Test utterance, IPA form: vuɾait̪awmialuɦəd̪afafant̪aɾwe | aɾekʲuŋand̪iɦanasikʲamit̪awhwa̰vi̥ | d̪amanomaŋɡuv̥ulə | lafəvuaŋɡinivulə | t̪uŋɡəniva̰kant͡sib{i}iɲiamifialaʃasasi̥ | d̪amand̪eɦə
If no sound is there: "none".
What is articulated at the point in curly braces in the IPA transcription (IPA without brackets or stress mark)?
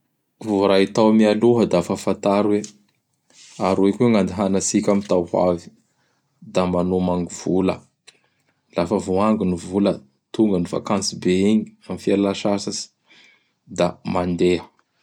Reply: e